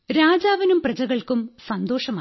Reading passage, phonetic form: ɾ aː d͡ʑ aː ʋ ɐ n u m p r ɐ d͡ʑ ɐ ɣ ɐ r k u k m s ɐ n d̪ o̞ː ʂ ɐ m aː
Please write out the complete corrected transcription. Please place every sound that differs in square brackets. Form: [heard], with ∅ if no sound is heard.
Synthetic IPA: ɾ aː d͡ʑ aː ʋ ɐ n u m p r ɐ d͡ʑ ɐ ɣ ɐ [ɭ] k u [∅] m s ɐ n d̪ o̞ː ʂ ɐ m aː